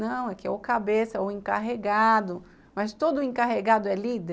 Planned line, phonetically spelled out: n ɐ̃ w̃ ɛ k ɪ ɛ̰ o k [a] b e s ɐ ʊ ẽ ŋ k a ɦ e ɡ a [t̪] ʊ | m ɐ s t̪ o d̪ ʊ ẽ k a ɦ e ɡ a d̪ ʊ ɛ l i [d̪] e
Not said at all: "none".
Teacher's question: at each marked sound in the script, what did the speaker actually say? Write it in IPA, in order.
a, d̪, d̪

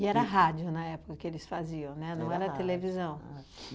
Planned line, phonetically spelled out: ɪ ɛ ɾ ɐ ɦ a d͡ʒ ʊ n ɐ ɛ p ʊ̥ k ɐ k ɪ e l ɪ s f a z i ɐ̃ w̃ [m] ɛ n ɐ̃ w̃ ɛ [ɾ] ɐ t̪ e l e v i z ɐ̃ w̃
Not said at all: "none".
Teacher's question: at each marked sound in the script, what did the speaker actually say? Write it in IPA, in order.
n, ɾ

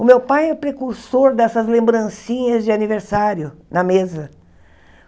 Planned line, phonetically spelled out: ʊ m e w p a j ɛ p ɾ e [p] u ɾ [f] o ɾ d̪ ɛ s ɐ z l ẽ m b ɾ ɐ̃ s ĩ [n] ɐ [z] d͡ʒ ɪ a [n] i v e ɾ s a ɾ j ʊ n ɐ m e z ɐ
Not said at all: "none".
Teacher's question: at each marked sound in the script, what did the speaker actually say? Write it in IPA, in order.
k, s, ɲ, z, n

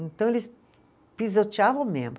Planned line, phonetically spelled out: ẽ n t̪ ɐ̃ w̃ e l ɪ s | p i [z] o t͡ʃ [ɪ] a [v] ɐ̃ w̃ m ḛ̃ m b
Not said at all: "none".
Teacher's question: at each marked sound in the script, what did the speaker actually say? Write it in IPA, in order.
z, i, v

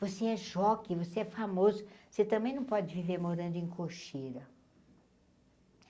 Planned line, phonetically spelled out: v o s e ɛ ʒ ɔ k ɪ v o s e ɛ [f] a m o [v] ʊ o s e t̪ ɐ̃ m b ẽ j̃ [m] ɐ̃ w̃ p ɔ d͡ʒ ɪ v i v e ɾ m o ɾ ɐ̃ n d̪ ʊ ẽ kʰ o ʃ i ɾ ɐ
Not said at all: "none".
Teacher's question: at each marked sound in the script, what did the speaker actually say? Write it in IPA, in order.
f, z, n

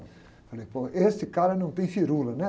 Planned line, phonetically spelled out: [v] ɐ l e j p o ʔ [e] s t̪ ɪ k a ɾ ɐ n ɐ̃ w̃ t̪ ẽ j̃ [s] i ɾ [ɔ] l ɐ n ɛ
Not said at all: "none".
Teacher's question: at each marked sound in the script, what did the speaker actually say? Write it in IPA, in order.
f, e, f, u

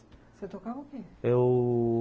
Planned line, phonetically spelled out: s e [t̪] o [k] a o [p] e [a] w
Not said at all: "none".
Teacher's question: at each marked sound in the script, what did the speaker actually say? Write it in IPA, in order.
t̪, k, k, e

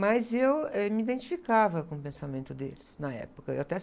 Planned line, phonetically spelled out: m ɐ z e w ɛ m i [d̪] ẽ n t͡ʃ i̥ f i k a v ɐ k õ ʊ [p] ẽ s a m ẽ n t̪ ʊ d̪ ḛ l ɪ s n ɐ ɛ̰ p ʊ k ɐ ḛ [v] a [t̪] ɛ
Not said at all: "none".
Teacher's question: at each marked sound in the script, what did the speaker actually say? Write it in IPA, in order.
d̪, p, w, t̪

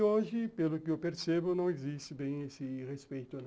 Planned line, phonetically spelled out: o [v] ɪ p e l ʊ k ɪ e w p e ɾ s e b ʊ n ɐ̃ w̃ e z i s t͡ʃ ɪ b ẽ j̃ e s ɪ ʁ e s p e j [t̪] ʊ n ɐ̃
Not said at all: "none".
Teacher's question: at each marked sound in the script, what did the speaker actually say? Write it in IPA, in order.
ʒ, t̪

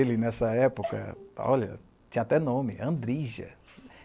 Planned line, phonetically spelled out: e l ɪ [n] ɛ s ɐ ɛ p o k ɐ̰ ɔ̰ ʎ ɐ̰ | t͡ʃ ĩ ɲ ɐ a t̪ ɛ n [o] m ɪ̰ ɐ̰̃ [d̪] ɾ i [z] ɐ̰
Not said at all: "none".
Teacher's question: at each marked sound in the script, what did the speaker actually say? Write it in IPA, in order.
n, õ, d̪, ʒ

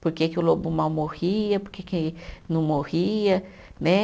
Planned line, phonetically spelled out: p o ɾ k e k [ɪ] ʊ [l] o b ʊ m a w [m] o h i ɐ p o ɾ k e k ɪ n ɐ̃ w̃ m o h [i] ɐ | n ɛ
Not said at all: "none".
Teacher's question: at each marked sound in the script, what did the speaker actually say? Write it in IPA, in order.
ɪ, l, m, i

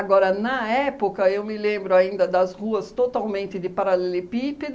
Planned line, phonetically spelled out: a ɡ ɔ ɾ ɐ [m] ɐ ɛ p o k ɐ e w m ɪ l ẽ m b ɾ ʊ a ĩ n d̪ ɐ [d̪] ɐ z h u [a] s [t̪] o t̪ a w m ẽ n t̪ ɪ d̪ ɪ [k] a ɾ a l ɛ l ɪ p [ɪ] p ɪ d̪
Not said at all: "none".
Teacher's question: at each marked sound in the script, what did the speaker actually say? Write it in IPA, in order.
n, d̪, ɐ, t̪, p, i

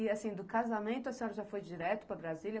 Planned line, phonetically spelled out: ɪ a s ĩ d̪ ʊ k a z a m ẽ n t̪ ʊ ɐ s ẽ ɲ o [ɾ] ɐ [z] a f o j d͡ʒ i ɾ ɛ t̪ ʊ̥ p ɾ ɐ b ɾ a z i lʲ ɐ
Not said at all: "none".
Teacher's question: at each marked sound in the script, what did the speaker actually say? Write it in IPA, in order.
ɾ, ʒ

